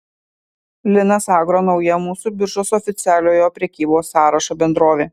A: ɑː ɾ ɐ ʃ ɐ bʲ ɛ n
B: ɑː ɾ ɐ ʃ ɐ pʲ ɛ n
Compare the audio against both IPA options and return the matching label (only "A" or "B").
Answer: A